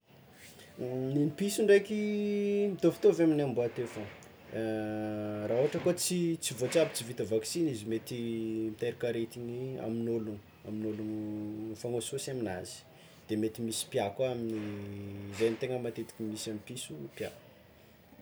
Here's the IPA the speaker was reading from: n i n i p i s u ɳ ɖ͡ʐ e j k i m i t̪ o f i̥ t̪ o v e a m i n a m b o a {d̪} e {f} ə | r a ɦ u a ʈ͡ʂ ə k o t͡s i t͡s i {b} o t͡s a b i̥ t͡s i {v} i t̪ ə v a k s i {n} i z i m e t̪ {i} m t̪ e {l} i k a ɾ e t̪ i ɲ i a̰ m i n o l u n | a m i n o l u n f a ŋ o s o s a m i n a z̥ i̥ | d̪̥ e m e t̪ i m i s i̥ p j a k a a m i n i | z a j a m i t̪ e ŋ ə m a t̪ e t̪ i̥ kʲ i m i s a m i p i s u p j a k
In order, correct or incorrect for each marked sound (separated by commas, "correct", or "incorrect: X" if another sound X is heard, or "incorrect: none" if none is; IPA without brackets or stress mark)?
incorrect: t̪, correct, incorrect: v, correct, correct, correct, incorrect: ɾ